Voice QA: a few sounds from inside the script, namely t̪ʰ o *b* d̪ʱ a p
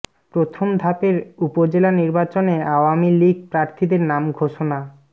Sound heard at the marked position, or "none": m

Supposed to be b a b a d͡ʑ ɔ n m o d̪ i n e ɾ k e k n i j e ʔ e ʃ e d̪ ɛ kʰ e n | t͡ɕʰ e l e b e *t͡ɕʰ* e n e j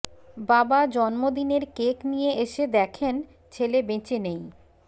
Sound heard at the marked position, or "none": t͡ɕ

